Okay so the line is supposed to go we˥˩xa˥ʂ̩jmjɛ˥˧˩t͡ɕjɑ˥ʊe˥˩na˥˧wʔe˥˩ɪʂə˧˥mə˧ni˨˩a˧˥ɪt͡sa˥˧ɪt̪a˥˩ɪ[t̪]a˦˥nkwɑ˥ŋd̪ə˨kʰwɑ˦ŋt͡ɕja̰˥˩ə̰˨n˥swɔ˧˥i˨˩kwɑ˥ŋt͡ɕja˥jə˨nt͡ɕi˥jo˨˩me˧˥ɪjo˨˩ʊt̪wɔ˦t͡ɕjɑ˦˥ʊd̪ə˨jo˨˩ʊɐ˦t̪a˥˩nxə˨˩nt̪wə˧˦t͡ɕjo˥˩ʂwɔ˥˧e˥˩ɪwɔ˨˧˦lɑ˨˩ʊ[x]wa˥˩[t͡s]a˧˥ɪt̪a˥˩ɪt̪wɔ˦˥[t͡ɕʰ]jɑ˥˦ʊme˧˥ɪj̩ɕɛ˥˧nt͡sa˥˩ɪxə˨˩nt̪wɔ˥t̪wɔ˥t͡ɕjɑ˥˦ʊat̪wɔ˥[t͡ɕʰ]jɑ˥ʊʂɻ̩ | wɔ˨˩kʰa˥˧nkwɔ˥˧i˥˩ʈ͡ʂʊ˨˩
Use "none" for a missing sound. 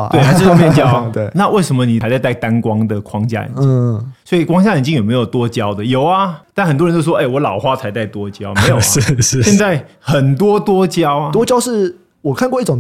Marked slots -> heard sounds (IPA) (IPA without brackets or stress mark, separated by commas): t̪, x, t͡sʰ, t͡ɕ, t͡ɕ